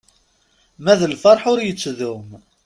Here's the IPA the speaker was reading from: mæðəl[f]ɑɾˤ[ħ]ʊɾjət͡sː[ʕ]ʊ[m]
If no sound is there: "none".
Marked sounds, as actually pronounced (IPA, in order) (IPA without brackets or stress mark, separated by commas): f, ħ, ð, m